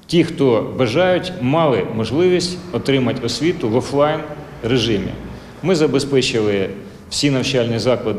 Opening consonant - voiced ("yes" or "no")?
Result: no